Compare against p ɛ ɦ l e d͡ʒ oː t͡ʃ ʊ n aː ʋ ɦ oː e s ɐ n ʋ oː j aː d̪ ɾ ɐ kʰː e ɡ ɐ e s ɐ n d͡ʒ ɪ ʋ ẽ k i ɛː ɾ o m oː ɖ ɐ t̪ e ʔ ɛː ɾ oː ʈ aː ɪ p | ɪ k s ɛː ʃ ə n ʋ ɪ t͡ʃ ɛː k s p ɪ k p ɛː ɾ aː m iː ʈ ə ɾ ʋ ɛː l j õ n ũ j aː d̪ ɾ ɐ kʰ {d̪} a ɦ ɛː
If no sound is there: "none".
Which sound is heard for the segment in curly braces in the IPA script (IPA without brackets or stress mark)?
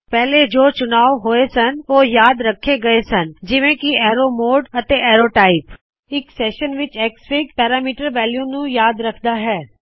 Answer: d̪